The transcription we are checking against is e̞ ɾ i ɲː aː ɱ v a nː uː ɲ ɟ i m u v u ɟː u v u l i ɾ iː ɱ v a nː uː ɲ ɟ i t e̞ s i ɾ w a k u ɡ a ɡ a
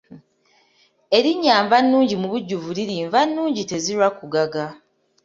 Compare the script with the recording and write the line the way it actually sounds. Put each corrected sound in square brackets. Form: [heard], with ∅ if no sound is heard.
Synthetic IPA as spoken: e̞ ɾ i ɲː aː ɱ v a nː uː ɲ ɟ i m u [β] u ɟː u v u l i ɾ iː ɱ v a nː uː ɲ ɟ i t e̞ [z] i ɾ w a k u ɡ a ɡ a